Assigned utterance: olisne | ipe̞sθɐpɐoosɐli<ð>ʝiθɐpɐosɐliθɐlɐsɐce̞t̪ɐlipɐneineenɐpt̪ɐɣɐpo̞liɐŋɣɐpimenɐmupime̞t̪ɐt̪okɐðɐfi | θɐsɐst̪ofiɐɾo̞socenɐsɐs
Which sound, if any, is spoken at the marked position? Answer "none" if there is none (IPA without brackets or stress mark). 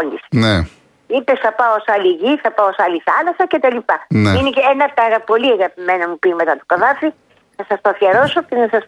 none